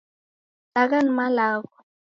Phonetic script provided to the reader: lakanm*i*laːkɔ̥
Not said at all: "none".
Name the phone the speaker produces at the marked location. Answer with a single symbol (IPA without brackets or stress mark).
a